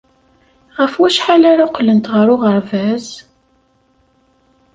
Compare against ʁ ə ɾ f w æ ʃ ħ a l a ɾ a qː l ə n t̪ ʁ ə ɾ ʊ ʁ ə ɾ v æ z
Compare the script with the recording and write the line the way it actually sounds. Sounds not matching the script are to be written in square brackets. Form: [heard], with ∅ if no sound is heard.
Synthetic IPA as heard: ʁ ə [∅] f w æ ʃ ħ a l a ɾ a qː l ə n t̪ ʁ ə ɾ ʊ ʁ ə ɾ v æ z

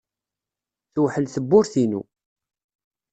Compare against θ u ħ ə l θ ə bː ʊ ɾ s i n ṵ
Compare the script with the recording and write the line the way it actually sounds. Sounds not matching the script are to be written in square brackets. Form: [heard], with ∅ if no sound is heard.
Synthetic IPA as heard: θ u ħ ə l θ ə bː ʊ ɾ [θ] i n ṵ

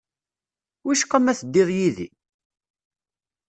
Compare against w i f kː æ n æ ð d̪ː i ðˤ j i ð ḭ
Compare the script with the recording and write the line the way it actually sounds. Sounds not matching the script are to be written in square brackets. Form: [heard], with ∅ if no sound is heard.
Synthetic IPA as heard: w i [ʃ] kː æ [m] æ [θ] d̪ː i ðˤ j i ð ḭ

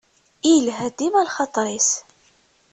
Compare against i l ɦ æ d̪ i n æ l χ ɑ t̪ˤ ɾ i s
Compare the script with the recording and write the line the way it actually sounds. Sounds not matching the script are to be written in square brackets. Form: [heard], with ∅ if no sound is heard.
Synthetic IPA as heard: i l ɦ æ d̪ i [m] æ l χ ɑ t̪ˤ ɾ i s

